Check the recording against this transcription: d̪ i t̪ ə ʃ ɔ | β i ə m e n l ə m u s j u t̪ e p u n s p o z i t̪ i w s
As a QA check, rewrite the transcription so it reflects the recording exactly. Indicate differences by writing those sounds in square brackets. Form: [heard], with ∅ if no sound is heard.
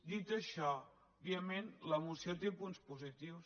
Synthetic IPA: d̪ i t̪ ə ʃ ɔ | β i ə m e n l ə m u s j [o] t̪ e p u n s p [u] z i t̪ i w s